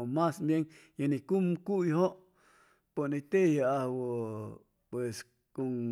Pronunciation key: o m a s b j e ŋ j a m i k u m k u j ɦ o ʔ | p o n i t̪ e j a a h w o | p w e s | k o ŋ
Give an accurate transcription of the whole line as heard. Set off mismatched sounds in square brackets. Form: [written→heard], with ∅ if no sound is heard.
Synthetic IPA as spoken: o m a s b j e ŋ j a [m→n] i k u m k u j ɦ o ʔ | p o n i t̪ e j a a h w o | p w e s | k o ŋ